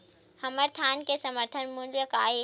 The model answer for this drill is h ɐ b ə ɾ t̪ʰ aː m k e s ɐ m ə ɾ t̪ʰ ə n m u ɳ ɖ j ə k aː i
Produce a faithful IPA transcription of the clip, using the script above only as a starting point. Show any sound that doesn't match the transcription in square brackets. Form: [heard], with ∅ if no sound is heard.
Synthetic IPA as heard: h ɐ [m] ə ɾ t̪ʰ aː [n] k e s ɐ m ə ɾ t̪ʰ ə n m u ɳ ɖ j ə k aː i